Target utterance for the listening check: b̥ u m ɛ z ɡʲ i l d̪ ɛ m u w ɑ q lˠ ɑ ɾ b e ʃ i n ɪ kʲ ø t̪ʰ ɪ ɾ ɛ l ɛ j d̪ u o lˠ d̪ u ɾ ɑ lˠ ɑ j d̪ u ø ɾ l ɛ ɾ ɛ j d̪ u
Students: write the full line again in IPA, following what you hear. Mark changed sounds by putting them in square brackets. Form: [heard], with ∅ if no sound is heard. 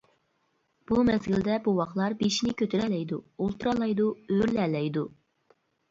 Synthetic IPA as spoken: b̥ u m ɛ z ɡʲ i l d̪ ɛ [b] u w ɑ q lˠ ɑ ɾ b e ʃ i n ɪ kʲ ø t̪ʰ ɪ ɾ ɛ l ɛ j d̪ u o lˠ [t̪] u ɾ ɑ lˠ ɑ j d̪ u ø ɾ l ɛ [l] ɛ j d̪ u